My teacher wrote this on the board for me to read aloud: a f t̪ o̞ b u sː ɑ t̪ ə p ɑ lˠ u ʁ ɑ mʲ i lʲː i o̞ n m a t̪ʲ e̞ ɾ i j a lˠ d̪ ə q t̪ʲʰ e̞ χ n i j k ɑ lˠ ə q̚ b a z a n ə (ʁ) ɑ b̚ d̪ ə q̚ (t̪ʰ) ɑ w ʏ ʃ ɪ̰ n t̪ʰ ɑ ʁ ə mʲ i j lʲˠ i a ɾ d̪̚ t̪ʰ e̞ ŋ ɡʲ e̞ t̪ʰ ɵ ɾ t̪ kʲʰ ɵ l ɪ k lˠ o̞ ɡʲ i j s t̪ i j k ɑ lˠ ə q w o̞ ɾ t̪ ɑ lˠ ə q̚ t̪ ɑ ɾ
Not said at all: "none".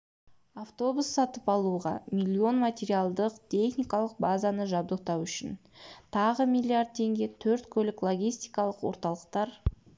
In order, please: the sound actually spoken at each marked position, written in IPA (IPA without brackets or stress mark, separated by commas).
ʒ, t̪